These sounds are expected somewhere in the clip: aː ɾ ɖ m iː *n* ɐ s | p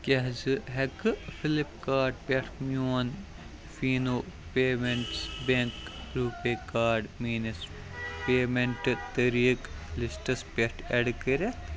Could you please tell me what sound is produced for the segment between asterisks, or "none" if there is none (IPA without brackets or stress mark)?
n